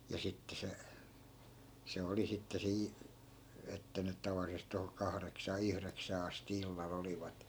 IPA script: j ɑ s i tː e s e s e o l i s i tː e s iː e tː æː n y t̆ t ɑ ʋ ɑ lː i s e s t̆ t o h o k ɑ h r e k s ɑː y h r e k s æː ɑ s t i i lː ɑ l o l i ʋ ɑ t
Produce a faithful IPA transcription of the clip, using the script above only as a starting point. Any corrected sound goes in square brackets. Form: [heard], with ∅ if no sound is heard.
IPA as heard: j ɑ s i tː e s e s e o l i s i tː e s iː e tː [æ] n y t̆ t ɑ ʋ ɑ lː i s e s t̆ t o h o k ɑ h r e k s ɑː y h r e k s æː ɑ s t i i lː ɑ l o l i ʋ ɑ t